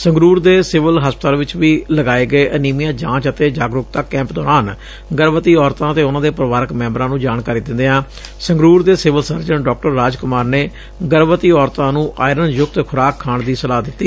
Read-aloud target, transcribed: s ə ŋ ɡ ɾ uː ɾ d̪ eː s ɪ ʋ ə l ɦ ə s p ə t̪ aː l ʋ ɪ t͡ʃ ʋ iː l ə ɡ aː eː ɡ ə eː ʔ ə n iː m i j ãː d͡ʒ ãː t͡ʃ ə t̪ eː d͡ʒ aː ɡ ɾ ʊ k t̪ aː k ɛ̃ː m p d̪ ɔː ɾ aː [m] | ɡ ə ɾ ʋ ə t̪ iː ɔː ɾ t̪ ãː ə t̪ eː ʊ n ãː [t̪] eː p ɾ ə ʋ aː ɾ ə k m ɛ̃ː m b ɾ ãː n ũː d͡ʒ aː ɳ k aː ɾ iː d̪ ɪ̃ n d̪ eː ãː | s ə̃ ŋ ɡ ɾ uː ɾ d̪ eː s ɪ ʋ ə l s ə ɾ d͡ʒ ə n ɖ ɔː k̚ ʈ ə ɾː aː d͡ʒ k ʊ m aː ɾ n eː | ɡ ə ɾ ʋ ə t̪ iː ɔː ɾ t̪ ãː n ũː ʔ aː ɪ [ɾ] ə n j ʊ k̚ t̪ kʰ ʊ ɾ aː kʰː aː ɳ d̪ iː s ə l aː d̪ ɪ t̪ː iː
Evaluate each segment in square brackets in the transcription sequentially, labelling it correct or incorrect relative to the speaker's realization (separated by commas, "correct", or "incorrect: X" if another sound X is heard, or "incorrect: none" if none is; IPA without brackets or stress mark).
incorrect: n, incorrect: d̪, correct